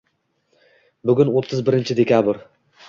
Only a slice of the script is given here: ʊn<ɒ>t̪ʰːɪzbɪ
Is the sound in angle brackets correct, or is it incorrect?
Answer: incorrect